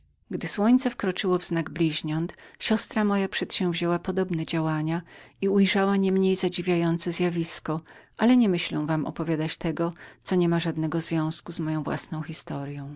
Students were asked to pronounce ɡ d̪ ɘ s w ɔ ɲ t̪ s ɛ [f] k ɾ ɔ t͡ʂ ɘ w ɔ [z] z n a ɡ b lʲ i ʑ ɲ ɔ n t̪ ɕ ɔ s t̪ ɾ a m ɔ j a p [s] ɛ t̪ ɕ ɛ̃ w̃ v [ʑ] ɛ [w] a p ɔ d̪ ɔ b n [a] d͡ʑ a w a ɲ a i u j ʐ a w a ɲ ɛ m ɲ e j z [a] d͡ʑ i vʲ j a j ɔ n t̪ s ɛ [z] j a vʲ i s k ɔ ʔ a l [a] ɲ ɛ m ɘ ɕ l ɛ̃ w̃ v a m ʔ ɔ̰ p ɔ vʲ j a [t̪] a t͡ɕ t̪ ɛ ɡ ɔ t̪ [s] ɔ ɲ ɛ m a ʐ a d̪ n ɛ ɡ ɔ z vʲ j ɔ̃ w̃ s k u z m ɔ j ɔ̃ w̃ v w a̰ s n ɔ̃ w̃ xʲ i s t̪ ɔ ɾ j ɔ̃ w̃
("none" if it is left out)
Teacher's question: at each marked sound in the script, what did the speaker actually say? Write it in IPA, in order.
f, v, ʂ, ʑ, w, ɛ, a, z, ɛ, d̪, s

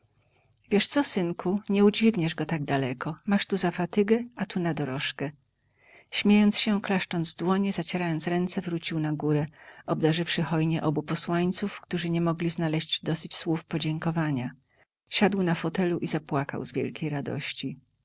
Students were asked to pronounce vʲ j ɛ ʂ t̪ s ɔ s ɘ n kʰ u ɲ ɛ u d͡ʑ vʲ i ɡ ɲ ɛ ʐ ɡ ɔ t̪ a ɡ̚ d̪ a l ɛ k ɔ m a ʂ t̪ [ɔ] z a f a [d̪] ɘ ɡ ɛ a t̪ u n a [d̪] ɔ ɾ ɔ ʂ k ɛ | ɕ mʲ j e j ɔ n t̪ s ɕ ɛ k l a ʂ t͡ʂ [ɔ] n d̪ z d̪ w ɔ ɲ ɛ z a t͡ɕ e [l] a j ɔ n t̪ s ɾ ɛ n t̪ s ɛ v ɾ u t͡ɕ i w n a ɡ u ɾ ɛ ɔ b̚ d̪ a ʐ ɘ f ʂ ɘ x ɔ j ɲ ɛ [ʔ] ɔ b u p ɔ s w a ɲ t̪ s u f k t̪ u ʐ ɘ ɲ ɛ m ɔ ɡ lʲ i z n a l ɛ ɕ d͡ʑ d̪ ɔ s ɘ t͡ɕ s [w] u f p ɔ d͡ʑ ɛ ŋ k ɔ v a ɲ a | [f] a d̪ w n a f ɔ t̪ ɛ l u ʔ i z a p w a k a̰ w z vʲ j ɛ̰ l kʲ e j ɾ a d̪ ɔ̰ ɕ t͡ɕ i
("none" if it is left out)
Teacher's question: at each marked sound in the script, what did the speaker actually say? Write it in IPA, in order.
u, t̪, d̪, ɔ, ɾ, ʔ, w, ɕ

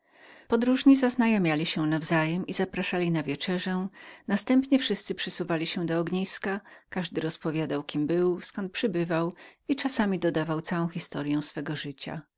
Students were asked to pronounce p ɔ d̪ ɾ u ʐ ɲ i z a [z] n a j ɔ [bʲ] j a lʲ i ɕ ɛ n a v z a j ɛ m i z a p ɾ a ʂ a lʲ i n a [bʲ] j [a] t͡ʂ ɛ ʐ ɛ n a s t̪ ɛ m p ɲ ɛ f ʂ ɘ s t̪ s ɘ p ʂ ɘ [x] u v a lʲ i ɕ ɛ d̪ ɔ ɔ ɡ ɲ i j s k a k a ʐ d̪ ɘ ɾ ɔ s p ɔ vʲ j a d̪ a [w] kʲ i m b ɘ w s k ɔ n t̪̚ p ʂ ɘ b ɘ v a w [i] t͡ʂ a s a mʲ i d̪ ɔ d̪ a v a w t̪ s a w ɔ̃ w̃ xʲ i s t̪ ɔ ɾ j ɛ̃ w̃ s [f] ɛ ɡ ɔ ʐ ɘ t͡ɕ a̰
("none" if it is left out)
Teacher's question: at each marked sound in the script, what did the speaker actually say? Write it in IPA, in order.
z, mʲ, vʲ, ɛ, s, w, i, f

